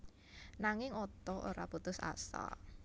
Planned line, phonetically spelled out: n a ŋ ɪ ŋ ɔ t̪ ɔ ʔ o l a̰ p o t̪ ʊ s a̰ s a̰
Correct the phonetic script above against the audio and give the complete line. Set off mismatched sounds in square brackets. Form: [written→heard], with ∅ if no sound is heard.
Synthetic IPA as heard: n a ŋ ɪ ŋ ɔ t̪ ɔ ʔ o [l→ɾ] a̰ p [o→u] t̪ ʊ s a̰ s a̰

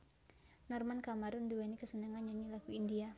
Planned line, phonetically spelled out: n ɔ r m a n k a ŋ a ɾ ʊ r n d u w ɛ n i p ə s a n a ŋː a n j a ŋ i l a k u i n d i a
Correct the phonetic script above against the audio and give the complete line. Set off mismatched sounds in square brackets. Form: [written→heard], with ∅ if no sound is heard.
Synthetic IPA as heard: n ɔ r m a n k a [ŋ→m] a ɾ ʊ [r→∅] n d u w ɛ n i [p→k] ə s [a→ə] n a [ŋː→ŋ] a n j a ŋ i l a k u i n d i a

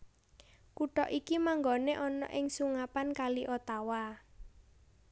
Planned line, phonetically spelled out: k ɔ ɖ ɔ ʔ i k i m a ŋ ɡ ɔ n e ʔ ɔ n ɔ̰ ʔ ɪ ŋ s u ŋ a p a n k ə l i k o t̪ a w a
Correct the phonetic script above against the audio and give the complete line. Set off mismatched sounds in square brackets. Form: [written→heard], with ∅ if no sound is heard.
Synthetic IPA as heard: k [ɔ→u] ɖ ɔ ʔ i k i m a ŋ ɡ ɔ n e ʔ ɔ n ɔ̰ ʔ ɪ ŋ s u ŋ a p a n k [ə→a] l i [k→ʔ] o t̪ a w a

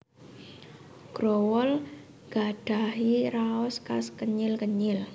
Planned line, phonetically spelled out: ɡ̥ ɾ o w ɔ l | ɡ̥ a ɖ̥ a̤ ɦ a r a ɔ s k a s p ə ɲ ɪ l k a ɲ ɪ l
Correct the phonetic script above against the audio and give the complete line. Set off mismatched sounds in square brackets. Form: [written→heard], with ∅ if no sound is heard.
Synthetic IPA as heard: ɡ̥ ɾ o w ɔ l | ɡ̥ a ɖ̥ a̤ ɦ [a→i] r a ɔ s k a s [p→k] ə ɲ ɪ l k [a→ə] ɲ ɪ l

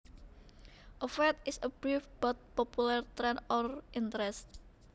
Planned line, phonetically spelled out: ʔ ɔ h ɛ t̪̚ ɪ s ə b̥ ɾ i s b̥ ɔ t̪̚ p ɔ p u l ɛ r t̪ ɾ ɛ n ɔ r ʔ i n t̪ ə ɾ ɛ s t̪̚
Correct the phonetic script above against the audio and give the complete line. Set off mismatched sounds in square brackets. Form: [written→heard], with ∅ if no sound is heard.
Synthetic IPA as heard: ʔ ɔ [h→f] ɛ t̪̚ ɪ s ə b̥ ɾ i [s→f] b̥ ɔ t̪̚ p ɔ p u l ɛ r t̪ ɾ ɛ n ɔ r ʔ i n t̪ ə ɾ ɛ s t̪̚

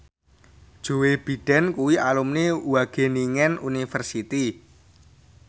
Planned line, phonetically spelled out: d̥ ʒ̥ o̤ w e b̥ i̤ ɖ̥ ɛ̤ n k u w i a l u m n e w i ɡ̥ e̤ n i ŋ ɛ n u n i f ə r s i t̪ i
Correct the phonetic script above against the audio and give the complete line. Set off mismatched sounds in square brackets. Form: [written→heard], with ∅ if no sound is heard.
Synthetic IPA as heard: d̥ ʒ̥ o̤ w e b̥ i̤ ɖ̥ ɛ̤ n k u w i a l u m n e w [i→a] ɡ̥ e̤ n i ŋ ɛ n u n i f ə r s i t̪ i

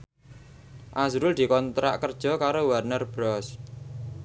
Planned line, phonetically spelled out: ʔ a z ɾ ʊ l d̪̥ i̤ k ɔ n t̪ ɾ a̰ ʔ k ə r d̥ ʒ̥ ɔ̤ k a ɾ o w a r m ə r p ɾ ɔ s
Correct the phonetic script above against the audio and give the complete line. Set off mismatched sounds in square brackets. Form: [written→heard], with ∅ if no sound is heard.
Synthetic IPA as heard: ʔ a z ɾ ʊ l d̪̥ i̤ k ɔ n t̪ ɾ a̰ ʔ k ə r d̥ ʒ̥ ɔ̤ k a ɾ o w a r [m→n] ə r [p→b] ɾ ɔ s

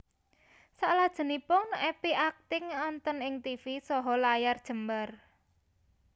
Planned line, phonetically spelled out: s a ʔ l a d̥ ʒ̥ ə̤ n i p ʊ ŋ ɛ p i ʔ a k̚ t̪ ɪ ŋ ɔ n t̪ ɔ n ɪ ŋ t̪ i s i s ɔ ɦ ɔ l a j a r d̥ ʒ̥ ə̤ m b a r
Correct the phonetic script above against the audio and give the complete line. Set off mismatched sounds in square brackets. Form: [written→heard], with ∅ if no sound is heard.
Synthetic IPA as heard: s a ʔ l a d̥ ʒ̥ ə̤ n i p ʊ ŋ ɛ p i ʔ a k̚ t̪ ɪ ŋ ɔ n t̪ ɔ n ɪ ŋ t̪ i [s→f] i s ɔ ɦ ɔ l a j a r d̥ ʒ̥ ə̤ m b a r

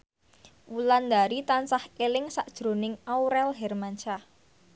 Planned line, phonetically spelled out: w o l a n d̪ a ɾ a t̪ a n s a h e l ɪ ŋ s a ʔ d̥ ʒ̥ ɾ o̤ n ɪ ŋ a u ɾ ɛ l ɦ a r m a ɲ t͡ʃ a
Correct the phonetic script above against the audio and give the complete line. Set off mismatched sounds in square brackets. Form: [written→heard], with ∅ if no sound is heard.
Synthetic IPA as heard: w [o→u] l a n d̪ a ɾ [a→i] t̪ a n s a h e l ɪ ŋ s a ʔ d̥ ʒ̥ ɾ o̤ n ɪ ŋ a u ɾ ɛ l ɦ [a→ɛ] r m a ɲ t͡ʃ a

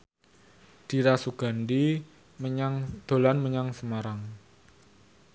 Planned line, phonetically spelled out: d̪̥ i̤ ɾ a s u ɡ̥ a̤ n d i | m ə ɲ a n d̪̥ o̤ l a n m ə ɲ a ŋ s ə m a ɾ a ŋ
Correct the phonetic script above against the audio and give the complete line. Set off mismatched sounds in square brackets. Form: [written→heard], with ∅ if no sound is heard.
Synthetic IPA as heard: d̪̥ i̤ ɾ a s u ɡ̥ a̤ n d i | m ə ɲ a [n→ŋ] d̪̥ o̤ l a n m ə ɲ a ŋ s ə m a ɾ a ŋ

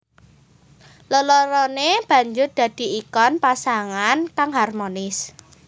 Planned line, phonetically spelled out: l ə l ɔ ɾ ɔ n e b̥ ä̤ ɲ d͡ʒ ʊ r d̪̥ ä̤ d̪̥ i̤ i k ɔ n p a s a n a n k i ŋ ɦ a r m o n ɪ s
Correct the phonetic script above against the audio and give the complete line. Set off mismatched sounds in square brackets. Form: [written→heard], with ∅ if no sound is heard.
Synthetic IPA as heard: l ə l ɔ ɾ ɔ n e b̥ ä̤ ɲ d͡ʒ ʊ r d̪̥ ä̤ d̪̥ i̤ i k ɔ n p a s a [n→ŋ] a n k [i→a] ŋ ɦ a r m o n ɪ s

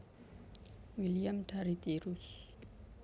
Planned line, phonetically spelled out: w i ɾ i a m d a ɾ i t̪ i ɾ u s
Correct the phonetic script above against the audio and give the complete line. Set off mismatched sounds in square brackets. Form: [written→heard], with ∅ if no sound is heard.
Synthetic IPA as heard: w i [ɾ→l] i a m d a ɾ i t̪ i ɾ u s

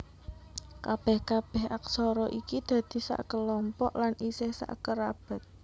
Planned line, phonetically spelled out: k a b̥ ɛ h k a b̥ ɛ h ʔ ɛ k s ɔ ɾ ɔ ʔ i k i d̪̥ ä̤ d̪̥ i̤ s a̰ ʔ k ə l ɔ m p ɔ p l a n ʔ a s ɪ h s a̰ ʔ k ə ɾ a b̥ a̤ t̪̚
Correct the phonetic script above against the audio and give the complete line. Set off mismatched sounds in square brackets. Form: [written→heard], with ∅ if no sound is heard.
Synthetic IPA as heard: k a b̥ ɛ h k a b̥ ɛ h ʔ [ɛ→a] k s ɔ ɾ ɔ ʔ i k i d̪̥ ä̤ d̪̥ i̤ s a̰ ʔ k ə l ɔ m p ɔ [p→ʔ] l a n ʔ [a→i] s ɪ h s a̰ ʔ k ə ɾ a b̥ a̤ t̪̚

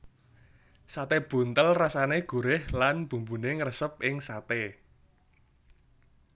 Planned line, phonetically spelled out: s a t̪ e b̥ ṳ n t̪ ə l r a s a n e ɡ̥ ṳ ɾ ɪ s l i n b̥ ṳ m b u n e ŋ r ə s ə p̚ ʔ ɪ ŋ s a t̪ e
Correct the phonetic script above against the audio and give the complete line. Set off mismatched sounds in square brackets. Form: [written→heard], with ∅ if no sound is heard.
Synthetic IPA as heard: s a t̪ e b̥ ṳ n t̪ ə l r a s a n e ɡ̥ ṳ ɾ ɪ [s→h] l [i→a] n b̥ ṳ m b u n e ŋ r ə s ə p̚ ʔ ɪ ŋ s a t̪ e

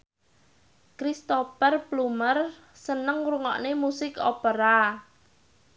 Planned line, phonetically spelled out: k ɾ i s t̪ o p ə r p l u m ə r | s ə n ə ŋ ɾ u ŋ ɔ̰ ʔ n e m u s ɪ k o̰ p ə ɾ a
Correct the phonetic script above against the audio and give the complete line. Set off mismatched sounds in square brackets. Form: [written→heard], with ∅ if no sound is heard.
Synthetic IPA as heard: k ɾ i s t̪ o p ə r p l u m ə r | s ə n ə ŋ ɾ u ŋ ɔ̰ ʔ n e m u s ɪ k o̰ p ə ɾ a

